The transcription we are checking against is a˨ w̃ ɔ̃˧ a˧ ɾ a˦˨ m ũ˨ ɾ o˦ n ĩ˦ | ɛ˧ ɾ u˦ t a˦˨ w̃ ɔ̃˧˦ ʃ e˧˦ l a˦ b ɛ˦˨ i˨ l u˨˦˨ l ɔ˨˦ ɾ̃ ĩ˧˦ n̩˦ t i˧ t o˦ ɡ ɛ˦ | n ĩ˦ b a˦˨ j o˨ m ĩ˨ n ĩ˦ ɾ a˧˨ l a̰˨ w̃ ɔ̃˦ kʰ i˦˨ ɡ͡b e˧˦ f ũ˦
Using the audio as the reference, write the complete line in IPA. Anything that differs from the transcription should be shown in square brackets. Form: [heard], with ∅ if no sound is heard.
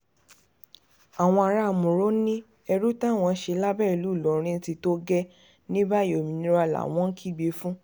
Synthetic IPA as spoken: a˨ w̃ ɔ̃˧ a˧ ɾ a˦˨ m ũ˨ ɾ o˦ n ĩ˦ | ɛ˧ ɾ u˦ t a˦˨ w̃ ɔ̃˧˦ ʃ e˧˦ l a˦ b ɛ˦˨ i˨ l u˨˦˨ l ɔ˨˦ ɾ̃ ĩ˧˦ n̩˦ t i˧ t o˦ ɡ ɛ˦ | n ĩ˦ b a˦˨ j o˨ m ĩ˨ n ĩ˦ ɾ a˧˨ l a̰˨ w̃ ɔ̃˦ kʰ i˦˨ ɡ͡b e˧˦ f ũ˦

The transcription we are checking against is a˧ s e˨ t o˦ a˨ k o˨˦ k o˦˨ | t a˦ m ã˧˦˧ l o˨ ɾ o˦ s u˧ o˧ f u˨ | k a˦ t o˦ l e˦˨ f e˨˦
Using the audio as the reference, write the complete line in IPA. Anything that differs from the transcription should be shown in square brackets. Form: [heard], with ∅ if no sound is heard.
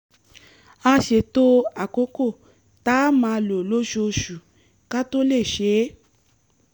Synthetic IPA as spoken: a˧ [ʃ] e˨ t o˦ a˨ k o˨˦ k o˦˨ | t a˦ m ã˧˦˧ l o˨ [l] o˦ [ʃ] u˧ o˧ [ʃ] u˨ | k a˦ t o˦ l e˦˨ [ʃ] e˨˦

